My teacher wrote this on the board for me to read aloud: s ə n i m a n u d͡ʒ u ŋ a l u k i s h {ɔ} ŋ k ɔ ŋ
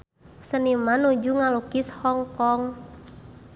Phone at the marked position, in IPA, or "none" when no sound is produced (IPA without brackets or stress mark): ɔ